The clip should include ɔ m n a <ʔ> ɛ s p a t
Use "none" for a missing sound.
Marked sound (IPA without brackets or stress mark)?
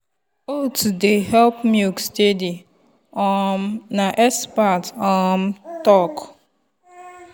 ʔ